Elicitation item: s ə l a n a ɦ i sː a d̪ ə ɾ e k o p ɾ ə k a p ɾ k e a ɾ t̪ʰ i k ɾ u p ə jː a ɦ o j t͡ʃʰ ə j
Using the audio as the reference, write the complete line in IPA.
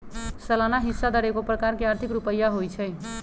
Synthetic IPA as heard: s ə l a n a ɦ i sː a d̪ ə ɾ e k o p ɾ ə k a ɾ k e a ɾ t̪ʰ i k ɾ u p ə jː a ɦ o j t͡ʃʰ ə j